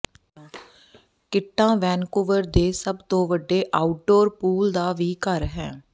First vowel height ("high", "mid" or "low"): high